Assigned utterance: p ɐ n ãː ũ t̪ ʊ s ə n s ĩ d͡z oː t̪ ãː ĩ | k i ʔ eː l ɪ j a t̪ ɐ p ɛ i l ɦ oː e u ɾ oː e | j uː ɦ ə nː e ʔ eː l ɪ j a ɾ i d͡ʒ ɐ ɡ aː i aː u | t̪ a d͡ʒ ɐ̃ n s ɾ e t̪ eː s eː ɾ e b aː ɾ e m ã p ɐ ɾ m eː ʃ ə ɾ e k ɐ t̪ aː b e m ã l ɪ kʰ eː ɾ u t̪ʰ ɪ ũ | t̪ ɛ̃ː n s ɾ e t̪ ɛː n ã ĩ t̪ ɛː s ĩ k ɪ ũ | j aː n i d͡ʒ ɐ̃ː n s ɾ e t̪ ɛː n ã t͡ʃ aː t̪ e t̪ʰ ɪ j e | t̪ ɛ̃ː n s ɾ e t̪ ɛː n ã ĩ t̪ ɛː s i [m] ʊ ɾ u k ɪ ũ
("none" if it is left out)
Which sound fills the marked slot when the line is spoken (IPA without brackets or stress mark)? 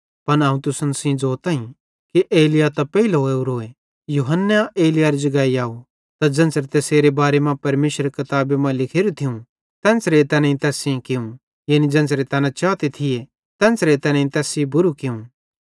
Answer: b